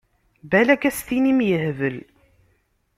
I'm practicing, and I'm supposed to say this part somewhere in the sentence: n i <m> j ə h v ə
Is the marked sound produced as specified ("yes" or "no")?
yes